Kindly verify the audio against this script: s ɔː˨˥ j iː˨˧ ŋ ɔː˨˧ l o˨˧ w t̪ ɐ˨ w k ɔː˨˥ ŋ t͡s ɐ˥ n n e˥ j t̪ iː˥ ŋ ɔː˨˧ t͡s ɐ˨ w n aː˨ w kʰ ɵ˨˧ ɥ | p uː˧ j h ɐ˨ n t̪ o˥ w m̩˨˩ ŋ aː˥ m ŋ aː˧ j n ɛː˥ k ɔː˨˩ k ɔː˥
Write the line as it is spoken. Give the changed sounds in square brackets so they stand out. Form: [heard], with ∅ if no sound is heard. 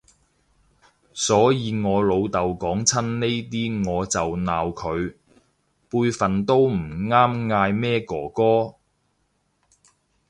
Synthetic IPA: s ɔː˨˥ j iː˨˧ ŋ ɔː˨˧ l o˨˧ w t̪ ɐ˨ w k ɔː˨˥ ŋ [t͡sʰ] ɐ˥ n n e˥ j t̪ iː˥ ŋ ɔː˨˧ t͡s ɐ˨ w n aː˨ w kʰ ɵ˨˧ ɥ | p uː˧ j [f] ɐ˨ n t̪ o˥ w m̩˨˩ ŋ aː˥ m ŋ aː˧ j [m] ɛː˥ k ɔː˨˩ k ɔː˥